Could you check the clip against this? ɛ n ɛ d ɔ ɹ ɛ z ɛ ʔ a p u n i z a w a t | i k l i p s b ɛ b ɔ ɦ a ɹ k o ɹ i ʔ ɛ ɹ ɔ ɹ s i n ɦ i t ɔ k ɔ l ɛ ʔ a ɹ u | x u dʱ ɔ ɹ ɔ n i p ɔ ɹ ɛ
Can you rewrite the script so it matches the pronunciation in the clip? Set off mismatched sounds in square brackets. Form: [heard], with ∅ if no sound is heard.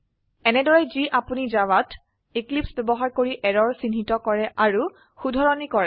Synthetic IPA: ɛ n ɛ d ɔ ɹ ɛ z [i] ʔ a p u n i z a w a t | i k l i p s b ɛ b ɔ ɦ a ɹ k o ɹ i ʔ ɛ ɹ ɔ ɹ s i n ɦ i t ɔ k ɔ [ɹ] ɛ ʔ a ɹ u | x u dʱ ɔ ɹ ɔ n i [k] ɔ ɹ ɛ